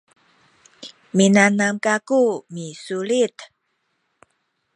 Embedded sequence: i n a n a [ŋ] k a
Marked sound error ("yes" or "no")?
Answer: yes